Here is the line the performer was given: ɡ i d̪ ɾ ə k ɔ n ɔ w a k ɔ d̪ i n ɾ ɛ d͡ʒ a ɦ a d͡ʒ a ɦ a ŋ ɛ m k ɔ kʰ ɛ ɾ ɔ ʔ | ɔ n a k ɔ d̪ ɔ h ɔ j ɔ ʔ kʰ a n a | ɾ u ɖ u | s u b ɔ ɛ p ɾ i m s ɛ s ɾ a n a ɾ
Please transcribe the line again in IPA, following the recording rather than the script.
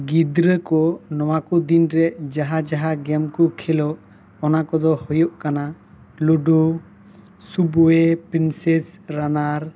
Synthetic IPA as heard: ɡ i d̪ ɾ ə k ɔ n ɔ w a k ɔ d̪ i n ɾ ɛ d͡ʒ a ɦ a d͡ʒ a ɦ a ɡ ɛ m k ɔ kʰ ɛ l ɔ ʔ | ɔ n a k ɔ d̪ ɔ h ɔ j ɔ ʔ k a n a | l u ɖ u | s u b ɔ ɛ p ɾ i n s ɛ s ɾ a n a ɾ